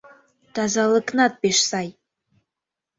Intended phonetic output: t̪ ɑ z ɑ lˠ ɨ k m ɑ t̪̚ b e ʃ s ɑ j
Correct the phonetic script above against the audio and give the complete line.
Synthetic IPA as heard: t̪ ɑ z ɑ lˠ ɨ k n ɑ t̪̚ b e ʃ s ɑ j